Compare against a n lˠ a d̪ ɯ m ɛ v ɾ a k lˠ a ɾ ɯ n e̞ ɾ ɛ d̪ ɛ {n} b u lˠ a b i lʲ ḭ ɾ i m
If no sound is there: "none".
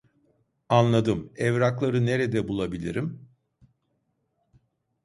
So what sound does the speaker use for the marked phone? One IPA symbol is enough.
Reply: none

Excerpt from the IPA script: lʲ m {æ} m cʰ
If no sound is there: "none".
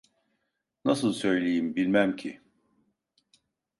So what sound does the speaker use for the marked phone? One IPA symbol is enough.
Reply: æ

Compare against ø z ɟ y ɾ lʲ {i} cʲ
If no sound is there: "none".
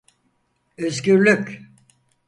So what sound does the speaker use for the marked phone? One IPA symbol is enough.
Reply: y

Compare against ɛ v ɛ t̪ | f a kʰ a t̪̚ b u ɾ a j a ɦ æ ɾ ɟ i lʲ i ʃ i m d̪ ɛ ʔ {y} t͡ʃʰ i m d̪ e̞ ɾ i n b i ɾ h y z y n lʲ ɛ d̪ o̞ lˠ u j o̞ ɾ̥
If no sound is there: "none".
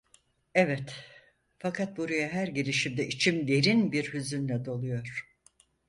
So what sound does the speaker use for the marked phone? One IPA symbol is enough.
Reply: i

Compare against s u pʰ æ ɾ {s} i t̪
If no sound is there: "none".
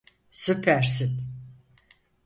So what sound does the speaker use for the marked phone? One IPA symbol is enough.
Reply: s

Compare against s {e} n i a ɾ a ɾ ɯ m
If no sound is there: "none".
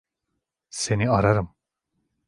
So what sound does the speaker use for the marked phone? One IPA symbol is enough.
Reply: e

